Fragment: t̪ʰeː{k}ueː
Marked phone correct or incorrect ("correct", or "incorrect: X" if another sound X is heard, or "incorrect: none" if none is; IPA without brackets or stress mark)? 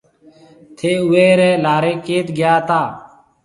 incorrect: none